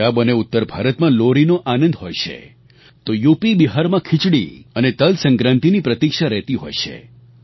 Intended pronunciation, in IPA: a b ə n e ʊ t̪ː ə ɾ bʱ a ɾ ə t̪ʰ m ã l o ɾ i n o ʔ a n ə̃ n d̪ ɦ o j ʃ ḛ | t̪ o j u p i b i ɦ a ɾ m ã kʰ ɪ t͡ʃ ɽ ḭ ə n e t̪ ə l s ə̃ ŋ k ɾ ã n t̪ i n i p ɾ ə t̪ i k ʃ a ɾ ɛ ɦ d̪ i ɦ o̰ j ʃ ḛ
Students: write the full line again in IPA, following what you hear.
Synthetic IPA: a b ə n e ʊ t̪ː ə ɾ bʱ a ɾ ə t̪ m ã l o ɾ i n o ʔ a n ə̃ n d̪ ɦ o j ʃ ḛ | t̪ o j u p i b i ɦ a ɾ m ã kʰ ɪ t͡ʃ ɽ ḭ ə n e t̪ ə l s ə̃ ŋ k ɾ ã n t̪ i n i p ɾ ə t̪ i k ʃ a ɾ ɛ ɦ t̪ i ɦ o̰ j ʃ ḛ